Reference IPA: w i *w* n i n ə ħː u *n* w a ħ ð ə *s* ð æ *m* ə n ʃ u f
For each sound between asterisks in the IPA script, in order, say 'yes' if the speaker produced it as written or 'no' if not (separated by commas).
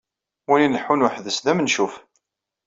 no, yes, yes, yes